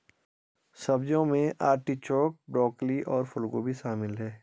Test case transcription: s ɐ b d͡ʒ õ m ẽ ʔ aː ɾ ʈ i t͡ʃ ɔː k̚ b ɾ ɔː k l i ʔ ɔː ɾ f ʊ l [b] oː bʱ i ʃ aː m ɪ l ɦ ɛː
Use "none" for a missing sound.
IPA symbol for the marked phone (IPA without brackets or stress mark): ɡ